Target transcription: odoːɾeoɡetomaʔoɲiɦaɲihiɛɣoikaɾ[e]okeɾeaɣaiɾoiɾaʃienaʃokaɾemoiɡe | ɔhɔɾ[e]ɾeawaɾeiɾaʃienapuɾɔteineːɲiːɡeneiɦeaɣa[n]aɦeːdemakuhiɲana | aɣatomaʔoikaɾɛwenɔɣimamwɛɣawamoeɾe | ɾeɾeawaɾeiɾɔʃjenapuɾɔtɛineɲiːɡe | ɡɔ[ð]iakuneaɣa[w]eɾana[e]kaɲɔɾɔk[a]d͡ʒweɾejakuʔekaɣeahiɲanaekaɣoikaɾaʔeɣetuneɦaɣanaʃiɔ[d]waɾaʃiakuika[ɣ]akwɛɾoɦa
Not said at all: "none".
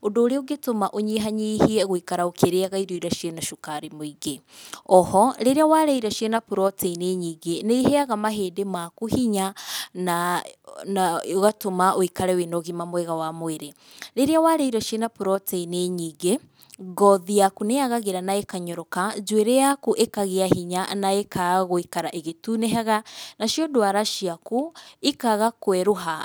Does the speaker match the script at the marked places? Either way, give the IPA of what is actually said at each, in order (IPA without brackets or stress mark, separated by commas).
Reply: a, e, m, ð, ɣ, e, a, d, ɣ